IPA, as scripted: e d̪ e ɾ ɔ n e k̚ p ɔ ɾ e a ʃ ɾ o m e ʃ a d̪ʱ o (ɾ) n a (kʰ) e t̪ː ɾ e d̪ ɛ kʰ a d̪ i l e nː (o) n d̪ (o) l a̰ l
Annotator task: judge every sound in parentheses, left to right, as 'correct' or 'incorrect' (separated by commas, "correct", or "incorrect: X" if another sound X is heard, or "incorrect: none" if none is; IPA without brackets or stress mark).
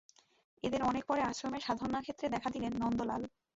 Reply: correct, correct, incorrect: ɔ, correct